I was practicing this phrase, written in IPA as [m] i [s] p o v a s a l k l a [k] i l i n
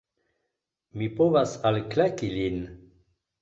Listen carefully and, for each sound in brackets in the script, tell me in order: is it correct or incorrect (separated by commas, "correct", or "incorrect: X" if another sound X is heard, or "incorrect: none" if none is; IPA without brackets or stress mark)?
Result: correct, incorrect: none, correct